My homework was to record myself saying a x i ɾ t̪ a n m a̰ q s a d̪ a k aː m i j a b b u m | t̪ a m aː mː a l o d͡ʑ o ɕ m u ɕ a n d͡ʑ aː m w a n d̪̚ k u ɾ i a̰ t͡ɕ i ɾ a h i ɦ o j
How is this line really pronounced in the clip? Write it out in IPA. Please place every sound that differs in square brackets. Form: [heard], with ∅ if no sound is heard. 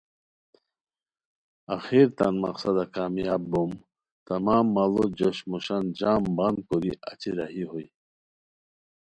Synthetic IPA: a x i ɾ t̪ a n m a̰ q s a d̪ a k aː m i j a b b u m | t̪ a m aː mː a l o d͡ʑ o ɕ m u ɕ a n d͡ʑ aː m [b] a n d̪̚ k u ɾ i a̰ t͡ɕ i ɾ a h i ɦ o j